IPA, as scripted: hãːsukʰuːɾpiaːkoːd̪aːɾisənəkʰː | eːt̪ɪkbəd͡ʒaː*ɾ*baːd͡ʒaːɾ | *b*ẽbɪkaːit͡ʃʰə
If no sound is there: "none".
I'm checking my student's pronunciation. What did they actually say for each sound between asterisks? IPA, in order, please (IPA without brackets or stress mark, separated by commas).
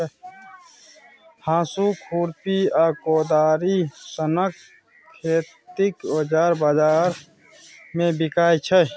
ɾ, m